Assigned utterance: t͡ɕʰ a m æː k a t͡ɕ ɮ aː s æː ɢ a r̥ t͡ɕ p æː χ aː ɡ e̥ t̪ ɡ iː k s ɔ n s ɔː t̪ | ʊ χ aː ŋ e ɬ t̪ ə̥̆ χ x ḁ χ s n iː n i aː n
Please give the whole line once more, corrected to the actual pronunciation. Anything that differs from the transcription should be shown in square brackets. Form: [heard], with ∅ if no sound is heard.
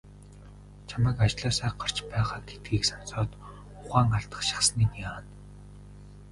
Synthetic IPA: t͡ɕʰ a m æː k a t͡ɕ ɮ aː s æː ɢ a r̥ t͡ɕ p æː [ʁ] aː ɡ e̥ t̪ ɡ iː k s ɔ n s ɔː t̪ | ʊ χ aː ŋ [a] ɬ t̪ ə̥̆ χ [ʃ] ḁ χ s n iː n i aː n